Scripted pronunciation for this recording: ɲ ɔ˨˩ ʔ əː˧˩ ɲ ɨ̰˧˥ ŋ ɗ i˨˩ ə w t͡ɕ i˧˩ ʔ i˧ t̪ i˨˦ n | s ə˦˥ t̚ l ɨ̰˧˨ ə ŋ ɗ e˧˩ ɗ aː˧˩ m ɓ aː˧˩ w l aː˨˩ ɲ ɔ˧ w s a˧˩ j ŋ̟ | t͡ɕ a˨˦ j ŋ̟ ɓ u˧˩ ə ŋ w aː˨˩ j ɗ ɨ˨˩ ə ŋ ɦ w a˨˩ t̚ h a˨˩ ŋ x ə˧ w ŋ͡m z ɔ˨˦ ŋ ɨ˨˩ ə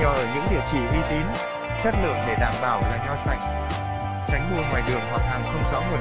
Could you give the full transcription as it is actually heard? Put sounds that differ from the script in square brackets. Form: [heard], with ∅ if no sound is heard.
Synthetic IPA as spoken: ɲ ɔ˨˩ ʔ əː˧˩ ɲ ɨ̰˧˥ ŋ ɗ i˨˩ ə w t͡ɕ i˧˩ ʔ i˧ t̪ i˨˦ n | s ə˦˥ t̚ l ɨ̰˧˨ ə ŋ ɗ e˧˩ ɗ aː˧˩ m ɓ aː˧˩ w l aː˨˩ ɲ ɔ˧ w s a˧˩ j ŋ̟ | t͡ɕ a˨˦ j ŋ̟ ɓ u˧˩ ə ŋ w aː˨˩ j ɗ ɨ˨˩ ə ŋ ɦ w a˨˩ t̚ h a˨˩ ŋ x ə˧ w ŋ͡m z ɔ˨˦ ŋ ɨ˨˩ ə